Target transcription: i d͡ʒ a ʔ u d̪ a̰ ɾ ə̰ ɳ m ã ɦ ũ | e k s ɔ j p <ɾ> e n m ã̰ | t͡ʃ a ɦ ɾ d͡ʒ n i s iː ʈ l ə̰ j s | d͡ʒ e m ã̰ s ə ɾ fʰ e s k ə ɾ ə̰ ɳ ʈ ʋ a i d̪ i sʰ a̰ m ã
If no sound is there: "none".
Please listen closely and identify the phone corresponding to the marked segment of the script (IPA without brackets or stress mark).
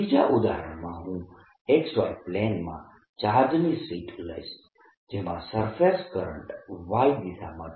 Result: l